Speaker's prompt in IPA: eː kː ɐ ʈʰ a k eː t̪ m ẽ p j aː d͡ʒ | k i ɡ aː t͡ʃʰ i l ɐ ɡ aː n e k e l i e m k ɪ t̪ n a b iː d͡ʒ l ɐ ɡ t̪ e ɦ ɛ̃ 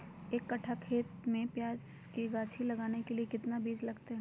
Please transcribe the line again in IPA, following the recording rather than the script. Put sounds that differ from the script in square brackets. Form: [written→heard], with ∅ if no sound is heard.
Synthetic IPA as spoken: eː kː ɐ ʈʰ a [k→kʰ] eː t̪ m ẽ p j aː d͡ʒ | k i ɡ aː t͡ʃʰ i l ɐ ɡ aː n e k e l i e [m→∅] k ɪ t̪ n a b iː d͡ʒ l ɐ ɡ t̪ e ɦ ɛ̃